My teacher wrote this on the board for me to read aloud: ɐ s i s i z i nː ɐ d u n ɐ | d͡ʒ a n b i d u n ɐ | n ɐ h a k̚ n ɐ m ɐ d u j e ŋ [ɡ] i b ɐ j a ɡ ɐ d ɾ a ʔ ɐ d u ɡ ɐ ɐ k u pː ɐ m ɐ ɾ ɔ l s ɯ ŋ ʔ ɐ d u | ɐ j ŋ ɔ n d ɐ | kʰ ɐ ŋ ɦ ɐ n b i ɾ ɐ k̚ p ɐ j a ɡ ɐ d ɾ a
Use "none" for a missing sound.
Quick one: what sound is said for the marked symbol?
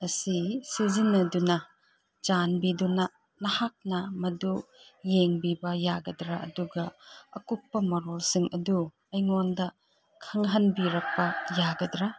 b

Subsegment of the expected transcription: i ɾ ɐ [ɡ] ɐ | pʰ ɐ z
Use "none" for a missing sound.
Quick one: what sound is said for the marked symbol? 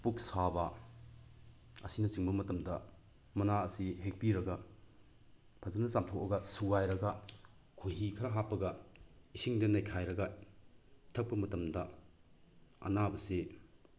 ɡ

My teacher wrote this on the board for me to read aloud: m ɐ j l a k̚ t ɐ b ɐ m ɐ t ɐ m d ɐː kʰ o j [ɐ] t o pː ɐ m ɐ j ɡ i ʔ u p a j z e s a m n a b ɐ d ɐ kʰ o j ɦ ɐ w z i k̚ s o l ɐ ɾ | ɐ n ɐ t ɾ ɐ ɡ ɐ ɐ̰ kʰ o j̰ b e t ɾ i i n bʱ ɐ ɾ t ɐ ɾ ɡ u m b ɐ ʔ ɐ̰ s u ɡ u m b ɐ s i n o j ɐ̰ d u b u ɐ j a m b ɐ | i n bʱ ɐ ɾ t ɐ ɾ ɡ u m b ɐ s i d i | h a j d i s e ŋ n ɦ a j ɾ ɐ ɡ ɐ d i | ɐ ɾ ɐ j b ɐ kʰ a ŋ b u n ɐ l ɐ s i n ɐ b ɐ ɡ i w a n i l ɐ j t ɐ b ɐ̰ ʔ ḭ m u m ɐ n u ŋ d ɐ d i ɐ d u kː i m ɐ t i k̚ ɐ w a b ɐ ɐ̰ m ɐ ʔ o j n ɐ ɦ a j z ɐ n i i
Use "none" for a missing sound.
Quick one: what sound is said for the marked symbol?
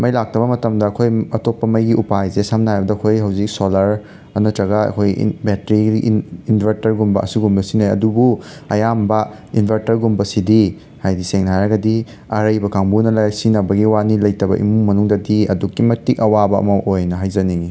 ɐ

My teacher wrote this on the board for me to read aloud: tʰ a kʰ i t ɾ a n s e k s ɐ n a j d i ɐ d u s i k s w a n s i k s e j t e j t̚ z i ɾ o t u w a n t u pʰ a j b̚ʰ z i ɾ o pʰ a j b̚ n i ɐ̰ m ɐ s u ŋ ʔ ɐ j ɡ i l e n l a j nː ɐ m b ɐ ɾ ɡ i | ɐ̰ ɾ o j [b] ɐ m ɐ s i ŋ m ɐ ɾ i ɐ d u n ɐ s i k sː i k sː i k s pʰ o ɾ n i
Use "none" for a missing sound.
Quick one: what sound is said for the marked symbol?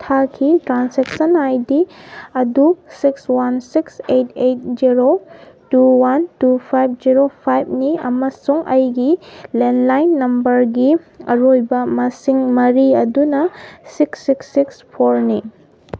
b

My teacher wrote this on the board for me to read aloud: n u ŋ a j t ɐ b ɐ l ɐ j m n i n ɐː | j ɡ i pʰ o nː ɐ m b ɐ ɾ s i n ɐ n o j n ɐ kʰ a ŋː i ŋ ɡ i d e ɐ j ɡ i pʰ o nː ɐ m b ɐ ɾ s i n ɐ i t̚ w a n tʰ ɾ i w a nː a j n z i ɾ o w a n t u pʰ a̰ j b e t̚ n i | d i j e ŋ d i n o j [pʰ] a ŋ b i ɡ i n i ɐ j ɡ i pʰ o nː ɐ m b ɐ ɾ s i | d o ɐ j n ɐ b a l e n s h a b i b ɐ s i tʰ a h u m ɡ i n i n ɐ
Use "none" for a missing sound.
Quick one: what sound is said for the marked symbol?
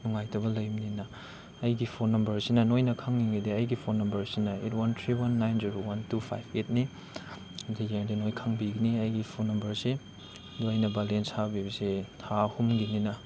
kʰ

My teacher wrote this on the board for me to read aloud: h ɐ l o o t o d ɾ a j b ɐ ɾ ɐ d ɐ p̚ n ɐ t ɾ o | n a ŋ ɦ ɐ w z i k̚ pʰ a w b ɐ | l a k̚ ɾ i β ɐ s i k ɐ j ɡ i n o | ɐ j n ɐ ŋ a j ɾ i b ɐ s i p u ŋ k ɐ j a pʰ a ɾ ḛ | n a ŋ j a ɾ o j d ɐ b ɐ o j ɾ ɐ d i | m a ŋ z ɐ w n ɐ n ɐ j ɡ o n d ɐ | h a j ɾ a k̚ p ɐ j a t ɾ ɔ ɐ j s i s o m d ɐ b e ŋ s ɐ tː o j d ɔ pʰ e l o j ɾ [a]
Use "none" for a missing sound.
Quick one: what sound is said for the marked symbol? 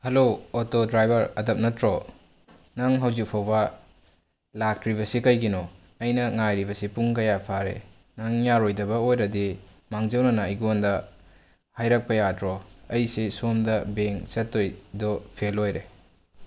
e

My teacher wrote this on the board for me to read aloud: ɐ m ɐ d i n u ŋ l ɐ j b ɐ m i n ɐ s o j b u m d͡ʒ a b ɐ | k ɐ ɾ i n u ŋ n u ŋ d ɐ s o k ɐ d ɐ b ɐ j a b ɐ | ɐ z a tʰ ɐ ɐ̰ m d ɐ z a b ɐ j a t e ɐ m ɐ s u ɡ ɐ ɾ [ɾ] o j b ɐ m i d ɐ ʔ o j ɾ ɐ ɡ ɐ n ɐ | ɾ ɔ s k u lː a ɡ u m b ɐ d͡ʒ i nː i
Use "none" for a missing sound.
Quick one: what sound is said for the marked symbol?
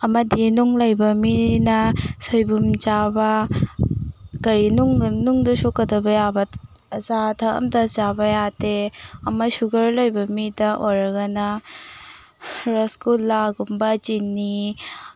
l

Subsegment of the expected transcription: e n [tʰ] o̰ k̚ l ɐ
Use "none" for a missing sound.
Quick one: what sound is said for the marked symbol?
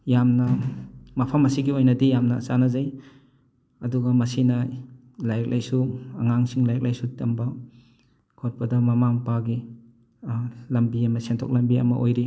tʰ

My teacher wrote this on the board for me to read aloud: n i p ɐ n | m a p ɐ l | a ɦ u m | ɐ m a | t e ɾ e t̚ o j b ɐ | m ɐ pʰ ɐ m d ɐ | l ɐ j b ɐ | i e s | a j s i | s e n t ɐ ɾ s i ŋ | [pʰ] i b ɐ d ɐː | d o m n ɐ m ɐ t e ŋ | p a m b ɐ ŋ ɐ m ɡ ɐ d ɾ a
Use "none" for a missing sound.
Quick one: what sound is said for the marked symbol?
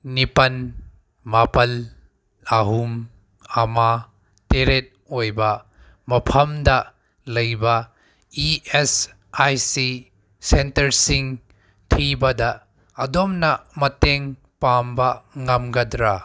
tʰ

